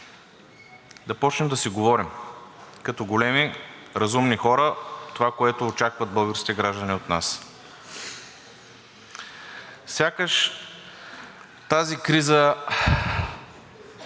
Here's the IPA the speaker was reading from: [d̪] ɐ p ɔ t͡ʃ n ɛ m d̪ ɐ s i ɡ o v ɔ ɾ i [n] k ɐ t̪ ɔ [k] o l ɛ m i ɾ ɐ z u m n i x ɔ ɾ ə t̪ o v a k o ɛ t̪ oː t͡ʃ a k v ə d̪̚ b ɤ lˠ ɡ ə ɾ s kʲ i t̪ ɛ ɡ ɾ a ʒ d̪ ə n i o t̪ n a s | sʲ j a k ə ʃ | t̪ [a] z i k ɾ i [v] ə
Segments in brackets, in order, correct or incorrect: correct, incorrect: m, incorrect: ɡ, correct, incorrect: z

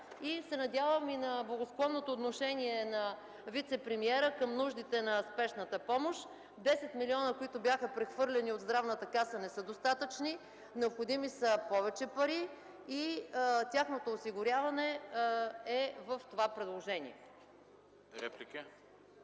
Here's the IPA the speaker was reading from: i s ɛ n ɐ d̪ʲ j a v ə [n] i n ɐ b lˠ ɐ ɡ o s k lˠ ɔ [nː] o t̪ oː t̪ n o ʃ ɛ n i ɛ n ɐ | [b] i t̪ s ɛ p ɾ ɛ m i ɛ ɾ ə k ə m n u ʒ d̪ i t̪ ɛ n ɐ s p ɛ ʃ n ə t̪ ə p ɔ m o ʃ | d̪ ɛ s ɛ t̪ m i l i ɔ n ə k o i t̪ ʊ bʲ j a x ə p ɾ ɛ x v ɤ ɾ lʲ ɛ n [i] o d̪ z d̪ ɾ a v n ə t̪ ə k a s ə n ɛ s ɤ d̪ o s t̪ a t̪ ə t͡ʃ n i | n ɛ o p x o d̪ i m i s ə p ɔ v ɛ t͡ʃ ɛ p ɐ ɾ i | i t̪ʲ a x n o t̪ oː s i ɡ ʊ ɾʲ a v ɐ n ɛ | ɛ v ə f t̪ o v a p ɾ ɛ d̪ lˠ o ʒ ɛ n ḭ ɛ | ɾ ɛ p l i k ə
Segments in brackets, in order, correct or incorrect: incorrect: m, correct, incorrect: v, correct

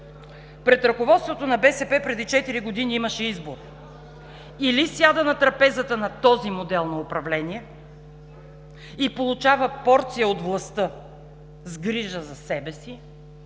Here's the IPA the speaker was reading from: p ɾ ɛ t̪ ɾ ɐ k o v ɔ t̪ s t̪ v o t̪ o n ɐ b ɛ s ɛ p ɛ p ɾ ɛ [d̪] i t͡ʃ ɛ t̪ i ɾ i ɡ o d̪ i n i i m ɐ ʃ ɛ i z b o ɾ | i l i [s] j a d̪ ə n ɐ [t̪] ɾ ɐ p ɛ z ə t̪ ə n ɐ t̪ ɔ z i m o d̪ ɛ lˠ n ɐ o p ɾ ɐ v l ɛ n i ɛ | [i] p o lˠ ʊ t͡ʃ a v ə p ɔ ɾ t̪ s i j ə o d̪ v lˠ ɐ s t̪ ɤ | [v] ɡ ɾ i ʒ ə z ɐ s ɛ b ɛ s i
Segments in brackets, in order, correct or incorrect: correct, correct, correct, correct, incorrect: z

